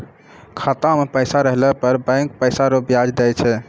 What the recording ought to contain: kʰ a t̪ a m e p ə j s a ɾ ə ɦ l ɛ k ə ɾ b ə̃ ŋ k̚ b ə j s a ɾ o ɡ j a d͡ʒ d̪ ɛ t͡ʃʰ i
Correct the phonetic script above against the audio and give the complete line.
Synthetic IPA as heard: kʰ a t̪ a m e p ə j s a ɾ ə ɦ l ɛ p ə ɾ b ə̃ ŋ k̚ p ə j s a ɾ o b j a d͡ʒ d̪ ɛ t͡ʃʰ ɛ